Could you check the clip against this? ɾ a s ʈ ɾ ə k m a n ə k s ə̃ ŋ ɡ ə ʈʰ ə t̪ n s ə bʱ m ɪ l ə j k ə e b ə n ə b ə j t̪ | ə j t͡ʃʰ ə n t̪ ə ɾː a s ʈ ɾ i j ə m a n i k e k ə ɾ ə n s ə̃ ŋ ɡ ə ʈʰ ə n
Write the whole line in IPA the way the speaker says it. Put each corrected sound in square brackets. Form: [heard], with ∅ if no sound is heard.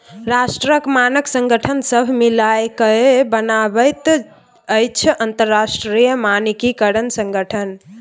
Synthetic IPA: ɾ a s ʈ ɾ ə k m a n ə k s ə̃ ŋ ɡ ə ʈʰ ə [∅] n s ə bʱ m [i] l [a] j k ə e b ə n [a] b ə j t̪ | ə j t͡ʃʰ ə n t̪ ə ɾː a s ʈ ɾ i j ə m a n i k [i] k ə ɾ ə n s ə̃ ŋ ɡ ə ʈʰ ə n